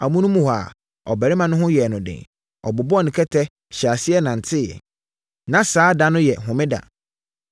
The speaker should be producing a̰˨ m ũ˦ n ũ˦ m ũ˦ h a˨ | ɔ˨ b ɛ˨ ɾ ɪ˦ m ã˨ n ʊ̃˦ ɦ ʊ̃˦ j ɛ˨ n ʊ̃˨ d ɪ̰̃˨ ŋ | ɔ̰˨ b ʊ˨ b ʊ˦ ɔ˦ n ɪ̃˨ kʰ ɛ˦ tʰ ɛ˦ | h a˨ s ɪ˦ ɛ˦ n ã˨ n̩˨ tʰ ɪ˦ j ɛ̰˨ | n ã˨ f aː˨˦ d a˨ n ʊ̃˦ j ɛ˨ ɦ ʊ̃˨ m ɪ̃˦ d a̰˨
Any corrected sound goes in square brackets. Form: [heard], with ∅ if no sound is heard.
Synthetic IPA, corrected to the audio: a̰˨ m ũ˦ n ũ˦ m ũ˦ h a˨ | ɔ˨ b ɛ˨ ɾ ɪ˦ m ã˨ n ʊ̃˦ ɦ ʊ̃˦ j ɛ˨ n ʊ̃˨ d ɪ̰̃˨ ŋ | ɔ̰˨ b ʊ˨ b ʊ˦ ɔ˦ n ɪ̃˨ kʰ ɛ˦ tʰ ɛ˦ | [ɕ] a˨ s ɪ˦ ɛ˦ n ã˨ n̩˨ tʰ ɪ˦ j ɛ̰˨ | n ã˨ [s] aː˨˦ d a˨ n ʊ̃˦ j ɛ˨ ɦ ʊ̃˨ m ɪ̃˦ d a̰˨